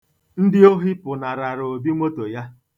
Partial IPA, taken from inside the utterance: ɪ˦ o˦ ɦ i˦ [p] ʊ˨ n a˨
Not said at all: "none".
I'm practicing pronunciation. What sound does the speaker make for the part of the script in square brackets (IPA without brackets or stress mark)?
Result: p